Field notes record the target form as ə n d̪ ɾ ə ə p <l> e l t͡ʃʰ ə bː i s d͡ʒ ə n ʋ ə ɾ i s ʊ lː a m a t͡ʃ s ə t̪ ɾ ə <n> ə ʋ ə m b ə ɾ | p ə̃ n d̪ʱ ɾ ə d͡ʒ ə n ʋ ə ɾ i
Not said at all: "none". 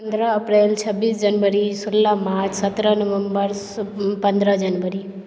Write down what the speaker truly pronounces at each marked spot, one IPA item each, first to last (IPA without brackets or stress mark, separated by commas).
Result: ɾ, n